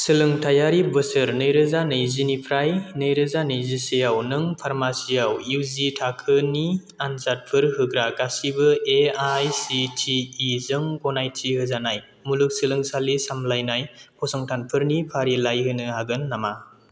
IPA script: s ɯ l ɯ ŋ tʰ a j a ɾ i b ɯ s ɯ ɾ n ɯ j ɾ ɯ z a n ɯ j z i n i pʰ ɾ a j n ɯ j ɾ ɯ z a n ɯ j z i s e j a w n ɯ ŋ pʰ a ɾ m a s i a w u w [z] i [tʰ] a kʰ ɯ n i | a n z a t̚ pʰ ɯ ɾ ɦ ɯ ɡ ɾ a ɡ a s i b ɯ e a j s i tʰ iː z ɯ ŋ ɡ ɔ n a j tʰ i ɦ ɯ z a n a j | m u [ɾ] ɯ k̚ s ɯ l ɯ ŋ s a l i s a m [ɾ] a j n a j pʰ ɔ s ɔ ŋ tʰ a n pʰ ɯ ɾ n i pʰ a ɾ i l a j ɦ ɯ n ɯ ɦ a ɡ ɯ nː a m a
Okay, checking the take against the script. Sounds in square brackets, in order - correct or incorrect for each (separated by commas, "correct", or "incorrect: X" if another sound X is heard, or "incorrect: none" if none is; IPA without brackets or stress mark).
correct, correct, incorrect: l, incorrect: l